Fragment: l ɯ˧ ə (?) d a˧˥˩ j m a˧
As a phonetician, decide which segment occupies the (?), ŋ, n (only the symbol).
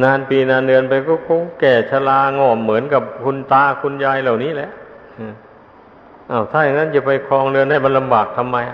n